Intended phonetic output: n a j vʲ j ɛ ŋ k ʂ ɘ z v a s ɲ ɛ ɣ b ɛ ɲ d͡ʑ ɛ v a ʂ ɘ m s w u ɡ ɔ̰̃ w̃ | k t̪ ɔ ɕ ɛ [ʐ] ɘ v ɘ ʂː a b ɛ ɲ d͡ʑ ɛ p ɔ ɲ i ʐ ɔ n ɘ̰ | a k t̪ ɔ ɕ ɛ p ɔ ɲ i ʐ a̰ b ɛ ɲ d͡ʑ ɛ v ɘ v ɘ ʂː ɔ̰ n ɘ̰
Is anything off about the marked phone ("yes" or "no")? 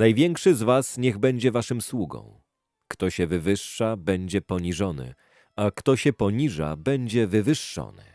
yes